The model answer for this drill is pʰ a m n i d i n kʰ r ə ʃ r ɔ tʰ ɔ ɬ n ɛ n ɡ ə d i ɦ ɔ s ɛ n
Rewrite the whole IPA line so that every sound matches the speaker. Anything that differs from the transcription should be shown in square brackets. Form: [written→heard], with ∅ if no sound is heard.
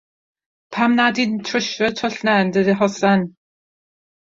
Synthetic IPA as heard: pʰ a m n [i→a] d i n [kʰ→tʰ] r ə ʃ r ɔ tʰ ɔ ɬ n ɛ n [ɡ→d] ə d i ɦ ɔ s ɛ n